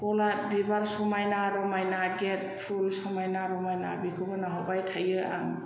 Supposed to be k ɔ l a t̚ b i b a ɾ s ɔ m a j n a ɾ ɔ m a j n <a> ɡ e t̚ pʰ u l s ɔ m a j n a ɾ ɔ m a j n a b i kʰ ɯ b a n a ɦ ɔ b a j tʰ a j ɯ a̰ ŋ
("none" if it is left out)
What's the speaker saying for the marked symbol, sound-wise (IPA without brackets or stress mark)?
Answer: a